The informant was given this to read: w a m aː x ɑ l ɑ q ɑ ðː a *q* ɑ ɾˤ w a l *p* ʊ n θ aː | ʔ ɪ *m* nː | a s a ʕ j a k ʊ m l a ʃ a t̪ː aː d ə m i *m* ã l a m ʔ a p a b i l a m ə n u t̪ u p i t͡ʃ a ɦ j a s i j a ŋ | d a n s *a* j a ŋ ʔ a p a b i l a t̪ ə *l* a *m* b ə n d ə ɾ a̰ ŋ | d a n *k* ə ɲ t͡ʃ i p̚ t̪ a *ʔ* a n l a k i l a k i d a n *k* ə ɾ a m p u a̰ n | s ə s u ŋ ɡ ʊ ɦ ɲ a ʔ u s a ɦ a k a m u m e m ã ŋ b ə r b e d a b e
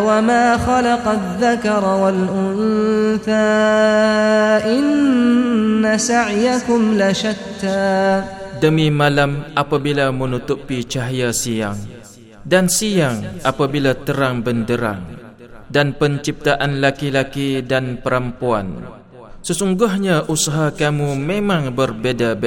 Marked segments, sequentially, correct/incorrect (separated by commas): incorrect, incorrect, incorrect, correct, incorrect, incorrect, incorrect, incorrect, correct, incorrect